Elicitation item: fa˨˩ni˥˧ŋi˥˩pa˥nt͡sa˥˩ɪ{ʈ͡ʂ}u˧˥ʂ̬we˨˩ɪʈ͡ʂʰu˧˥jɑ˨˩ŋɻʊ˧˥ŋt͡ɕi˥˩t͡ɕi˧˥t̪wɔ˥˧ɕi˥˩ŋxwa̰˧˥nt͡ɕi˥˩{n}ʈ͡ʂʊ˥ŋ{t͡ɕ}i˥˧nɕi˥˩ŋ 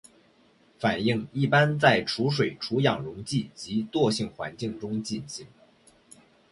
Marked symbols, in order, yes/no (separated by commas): no, no, yes